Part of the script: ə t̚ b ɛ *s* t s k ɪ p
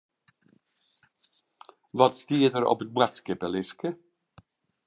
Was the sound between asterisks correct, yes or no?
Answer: no